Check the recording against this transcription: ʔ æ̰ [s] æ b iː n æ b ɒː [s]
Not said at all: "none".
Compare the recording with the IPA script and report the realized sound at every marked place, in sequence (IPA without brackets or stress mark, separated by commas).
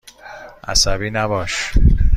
s, ʃ